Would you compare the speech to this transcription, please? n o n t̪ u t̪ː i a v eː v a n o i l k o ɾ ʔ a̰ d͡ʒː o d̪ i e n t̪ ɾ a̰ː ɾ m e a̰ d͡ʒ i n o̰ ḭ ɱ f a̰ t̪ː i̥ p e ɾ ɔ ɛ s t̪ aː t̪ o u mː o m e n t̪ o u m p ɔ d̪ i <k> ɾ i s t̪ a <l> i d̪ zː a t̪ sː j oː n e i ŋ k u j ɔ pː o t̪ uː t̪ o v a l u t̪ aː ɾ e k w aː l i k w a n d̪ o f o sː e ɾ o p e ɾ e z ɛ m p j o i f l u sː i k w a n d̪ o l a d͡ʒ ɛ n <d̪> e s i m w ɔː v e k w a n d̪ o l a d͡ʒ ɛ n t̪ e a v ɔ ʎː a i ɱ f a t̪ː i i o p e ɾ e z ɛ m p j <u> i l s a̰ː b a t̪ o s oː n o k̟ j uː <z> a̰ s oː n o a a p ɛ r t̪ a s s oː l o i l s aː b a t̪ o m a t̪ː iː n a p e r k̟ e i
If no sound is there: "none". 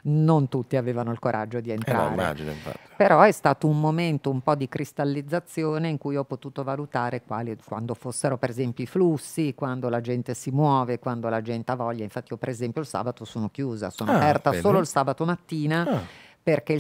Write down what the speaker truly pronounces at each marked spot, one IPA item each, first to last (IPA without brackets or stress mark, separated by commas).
k, lː, t̪, o, z